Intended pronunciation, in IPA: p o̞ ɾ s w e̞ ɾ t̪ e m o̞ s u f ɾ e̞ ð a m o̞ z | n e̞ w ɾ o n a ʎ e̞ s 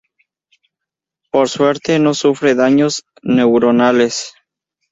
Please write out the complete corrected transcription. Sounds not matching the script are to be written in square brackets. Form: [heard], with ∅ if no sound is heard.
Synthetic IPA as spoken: p o̞ ɾ s w e̞ ɾ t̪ e [n] o̞ s u f ɾ e̞ ð a [ɲ] o̞ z | n e̞ w ɾ o n a [l] e̞ s

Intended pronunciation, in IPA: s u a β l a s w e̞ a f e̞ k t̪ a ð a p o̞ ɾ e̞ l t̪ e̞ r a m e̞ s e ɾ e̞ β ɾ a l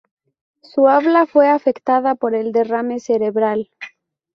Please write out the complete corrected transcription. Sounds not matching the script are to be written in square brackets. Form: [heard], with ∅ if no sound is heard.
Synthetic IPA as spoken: s u a β l a [f] w e̞ a f e̞ k t̪ a ð a p o̞ ɾ e̞ l [d̪] e̞ r a m e̞ s e ɾ e̞ β ɾ a l

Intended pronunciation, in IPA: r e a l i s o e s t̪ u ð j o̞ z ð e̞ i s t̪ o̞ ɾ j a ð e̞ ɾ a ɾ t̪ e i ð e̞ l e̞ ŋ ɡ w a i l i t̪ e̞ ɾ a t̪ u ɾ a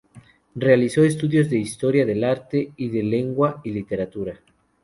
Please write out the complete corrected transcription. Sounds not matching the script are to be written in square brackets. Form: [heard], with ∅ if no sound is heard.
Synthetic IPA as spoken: r e a l i s o e s t̪ u ð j o̞ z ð e̞ i s t̪ o̞ ɾ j a ð e̞ [l] a ɾ t̪ e i ð e̞ l e̞ ŋ ɡ w a i l i t̪ e̞ ɾ a t̪ u ɾ a

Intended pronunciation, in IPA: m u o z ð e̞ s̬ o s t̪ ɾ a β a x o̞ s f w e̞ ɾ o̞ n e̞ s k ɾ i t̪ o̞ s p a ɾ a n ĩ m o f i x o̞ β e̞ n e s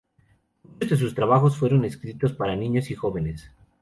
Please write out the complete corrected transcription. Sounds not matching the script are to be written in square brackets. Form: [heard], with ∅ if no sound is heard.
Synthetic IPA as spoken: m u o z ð e̞ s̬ [u] s t̪ ɾ a β a x o̞ s f w e̞ ɾ o̞ n e̞ s k ɾ i t̪ o̞ s p a ɾ a n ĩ [ɲ] o [s] i x o̞ β e̞ n e s

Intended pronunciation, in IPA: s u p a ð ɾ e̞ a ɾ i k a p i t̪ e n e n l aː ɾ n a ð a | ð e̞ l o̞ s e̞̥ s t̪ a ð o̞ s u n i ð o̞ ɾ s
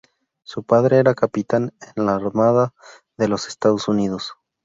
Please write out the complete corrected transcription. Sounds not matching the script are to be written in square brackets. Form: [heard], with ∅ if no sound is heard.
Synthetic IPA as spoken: s u p a ð ɾ e̞ [e] ɾ [a] k a p i t̪ [a] n e n l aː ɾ [m] a ð a | ð e̞ l o̞ s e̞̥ s t̪ a ð o̞ s u n i ð o̞ [∅] s

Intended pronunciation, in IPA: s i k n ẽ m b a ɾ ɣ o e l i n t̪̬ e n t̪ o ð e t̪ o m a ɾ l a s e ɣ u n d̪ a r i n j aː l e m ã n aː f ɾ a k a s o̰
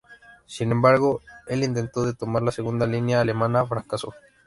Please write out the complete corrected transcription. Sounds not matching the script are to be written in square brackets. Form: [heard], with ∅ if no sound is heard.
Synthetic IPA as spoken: s i [∅] n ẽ m b a ɾ ɣ o e l i n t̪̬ e n t̪ o ð e t̪ o m a ɾ l a s e ɣ u n d̪ a [l] i n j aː l e m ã n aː f ɾ a k a s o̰

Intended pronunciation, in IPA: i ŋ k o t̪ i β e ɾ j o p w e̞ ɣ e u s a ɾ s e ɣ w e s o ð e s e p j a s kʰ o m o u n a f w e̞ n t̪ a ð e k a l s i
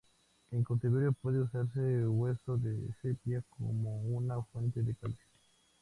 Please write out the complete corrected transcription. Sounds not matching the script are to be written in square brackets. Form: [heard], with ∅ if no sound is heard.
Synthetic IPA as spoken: [e] ŋ k o t̪ i β e ɾ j o p w e̞ [ð] e u s a ɾ s e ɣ w e s o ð e s e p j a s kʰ o m o u n a f w e̞ n t̪ [e] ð e k a l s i

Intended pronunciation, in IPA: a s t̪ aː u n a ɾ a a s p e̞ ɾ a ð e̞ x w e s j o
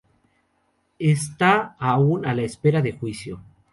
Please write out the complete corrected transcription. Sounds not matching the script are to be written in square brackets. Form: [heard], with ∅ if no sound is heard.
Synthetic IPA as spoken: [e] s t̪ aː u n a [l] a [e] s p e̞ ɾ a ð e̞ x w [i] s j o

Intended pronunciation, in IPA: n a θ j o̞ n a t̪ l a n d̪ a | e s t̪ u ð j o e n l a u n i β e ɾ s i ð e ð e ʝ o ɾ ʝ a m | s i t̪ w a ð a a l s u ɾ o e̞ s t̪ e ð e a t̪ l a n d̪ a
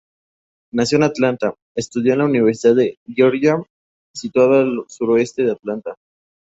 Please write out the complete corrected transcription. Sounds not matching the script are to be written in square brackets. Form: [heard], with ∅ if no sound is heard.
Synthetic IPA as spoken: n a [s] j o̞ n a t̪ l a n [t̪] a | e s t̪ u ð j o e n l a u n i β e ɾ s i ð [a] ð e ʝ o ɾ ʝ a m | s i t̪ w a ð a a l s u ɾ o e̞ s t̪ e ð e a t̪ l a n [t̪] a

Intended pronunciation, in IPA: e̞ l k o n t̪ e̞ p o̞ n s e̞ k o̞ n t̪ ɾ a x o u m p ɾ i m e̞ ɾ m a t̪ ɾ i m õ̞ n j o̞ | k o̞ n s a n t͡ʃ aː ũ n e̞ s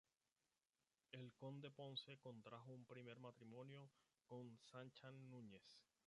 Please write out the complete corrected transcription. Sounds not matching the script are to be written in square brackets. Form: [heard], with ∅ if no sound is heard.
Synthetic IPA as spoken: e̞ l k o n [d̪] e̞ p o̞ n s e̞ k o̞ n t̪ ɾ a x o u m p ɾ i m e̞ ɾ m a t̪ ɾ i m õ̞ n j o̞ | k o̞ n s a n t͡ʃ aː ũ [ɲ] e̞ s

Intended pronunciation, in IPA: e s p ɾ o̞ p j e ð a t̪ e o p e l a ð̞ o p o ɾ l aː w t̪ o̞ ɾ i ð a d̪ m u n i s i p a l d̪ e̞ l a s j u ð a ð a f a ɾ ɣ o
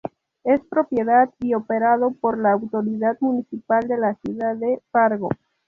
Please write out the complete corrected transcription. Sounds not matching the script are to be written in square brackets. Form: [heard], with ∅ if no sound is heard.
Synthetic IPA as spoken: e s p ɾ o̞ p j e ð a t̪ [i] o p e [ɾ] a ð̞ o p o ɾ l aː w t̪ o̞ ɾ i ð a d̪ m u n i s i p a l d̪ e̞ l a s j u ð a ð [e] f a ɾ ɣ o

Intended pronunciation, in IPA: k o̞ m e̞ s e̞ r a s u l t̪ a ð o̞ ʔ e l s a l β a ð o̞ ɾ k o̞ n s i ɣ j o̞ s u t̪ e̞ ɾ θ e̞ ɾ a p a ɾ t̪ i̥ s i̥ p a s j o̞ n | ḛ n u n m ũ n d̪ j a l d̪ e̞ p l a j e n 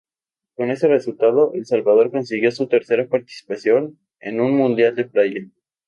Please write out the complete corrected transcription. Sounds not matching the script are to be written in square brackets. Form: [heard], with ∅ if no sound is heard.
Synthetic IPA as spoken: k o̞ [n] e̞ s e̞ r [e] s u l t̪ a ð o̞ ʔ e l s a l β a ð o̞ ɾ k o̞ n s i ɣ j o̞ s u t̪ e̞ ɾ [s] e̞ ɾ a p a ɾ t̪ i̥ s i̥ p a s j o̞ n | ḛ n u n m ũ n d̪ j a l d̪ e̞ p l a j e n

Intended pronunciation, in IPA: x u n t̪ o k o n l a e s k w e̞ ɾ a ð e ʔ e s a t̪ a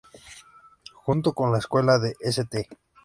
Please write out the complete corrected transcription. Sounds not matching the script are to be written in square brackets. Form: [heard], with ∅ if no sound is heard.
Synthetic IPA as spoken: x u n t̪ o k o n l a e s k w e̞ [l] a ð e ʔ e s [e] t̪ [e]

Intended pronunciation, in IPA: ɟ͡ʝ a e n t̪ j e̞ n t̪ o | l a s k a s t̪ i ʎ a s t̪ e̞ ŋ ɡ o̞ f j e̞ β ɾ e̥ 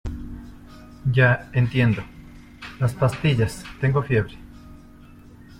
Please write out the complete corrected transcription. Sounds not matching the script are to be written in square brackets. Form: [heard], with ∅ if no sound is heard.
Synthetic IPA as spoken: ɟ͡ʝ a e n t̪ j e̞ n [d̪] o | l a s [p] a s t̪ i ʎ a s t̪ e̞ ŋ ɡ o̞ f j e̞ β ɾ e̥

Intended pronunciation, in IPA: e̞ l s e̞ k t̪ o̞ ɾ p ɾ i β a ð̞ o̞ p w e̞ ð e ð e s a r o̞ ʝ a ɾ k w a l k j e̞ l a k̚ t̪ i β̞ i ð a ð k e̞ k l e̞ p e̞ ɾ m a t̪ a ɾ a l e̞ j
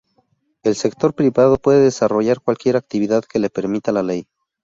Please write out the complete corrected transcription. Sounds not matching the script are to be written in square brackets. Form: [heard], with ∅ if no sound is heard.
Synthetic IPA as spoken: e̞ l s e̞ k t̪ o̞ ɾ p ɾ i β a ð̞ o̞ p w e̞ ð e ð e s a r o̞ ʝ a ɾ k w a l k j e̞ [ɾ] a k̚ t̪ i β̞ i ð a ð k e̞ [∅] l e̞ p e̞ ɾ m [i] t̪ a [l] a l e̞ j

